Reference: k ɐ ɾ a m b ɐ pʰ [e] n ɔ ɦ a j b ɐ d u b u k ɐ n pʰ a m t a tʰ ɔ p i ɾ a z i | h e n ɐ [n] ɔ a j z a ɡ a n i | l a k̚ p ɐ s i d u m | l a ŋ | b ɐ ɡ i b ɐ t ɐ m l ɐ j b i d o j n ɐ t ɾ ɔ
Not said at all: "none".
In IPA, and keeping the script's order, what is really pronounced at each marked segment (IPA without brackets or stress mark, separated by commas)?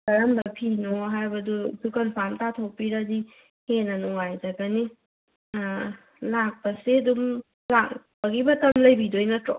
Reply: i, n